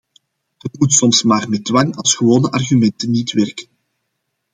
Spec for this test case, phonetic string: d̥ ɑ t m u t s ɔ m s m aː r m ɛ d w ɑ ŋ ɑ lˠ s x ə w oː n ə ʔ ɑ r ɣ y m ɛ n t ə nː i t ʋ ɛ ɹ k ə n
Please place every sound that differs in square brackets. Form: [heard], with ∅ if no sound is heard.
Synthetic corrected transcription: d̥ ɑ t m u t s ɔ m s m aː r m ɛ d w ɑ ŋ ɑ lˠ s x ə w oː n ə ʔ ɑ r ɣ y m ɛ n t ə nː i t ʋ ɛ [r] k ə n